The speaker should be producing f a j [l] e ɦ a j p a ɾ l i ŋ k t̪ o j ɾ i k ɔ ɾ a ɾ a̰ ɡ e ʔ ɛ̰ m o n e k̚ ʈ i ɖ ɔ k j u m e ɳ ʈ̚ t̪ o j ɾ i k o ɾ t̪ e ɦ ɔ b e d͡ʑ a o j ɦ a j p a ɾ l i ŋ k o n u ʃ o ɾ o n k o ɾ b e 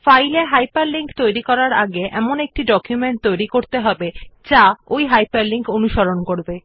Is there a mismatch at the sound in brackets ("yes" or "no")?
no